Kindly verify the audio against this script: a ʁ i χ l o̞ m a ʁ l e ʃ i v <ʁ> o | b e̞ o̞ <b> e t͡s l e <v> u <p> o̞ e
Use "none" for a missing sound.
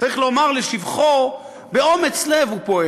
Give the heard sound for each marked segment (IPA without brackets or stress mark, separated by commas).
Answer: χ, m, v, p